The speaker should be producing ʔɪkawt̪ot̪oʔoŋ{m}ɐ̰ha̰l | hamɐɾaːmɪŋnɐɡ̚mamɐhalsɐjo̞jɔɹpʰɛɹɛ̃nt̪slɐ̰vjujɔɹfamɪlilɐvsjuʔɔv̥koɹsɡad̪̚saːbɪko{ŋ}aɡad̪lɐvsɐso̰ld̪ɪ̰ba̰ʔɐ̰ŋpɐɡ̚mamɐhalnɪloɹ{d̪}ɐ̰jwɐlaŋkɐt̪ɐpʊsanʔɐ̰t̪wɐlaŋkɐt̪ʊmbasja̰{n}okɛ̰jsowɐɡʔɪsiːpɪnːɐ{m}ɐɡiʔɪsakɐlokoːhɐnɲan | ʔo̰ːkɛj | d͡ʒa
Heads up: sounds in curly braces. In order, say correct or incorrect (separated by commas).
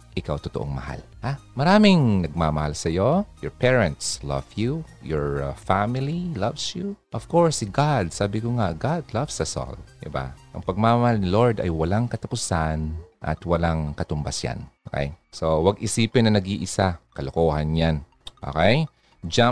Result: correct, correct, correct, correct, incorrect